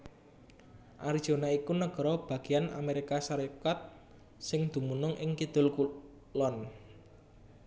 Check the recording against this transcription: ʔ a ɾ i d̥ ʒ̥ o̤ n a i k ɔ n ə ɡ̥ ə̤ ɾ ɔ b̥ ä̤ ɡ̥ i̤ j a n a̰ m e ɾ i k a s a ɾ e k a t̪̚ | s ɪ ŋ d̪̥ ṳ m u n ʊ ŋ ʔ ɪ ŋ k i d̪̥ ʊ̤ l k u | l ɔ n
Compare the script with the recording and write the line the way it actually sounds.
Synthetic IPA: ʔ a ɾ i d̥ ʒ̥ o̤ n a i k u n ə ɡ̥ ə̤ ɾ ɔ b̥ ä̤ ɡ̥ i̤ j a n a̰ m e ɾ i k a s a ɾ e k a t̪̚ | s ɪ ŋ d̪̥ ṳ m u n ʊ ŋ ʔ ɪ ŋ k i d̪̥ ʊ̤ l k u | l ɔ n